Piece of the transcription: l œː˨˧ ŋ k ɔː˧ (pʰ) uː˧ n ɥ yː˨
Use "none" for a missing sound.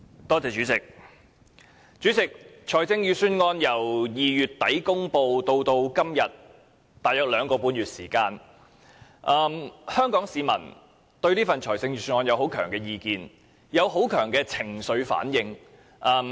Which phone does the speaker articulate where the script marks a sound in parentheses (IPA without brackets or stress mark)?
p